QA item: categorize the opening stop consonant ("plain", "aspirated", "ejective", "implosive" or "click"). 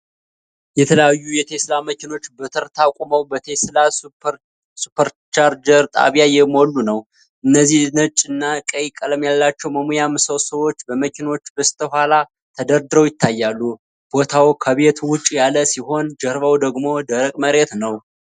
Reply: aspirated